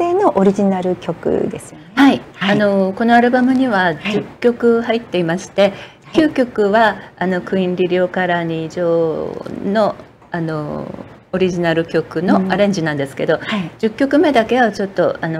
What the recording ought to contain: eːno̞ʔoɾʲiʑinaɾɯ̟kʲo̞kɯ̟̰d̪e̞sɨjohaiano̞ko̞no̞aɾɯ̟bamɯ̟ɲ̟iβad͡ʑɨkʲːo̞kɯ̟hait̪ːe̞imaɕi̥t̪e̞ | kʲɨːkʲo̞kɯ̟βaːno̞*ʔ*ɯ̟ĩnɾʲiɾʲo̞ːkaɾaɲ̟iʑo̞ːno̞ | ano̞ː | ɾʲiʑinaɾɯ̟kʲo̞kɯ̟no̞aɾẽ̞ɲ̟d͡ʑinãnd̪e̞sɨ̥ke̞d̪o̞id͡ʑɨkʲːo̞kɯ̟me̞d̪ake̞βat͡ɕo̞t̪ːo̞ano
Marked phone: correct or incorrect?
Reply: incorrect